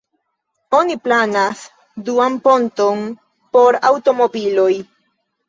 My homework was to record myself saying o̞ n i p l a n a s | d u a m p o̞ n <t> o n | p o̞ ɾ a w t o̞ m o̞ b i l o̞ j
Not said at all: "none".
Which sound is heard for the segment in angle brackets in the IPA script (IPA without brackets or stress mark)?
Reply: t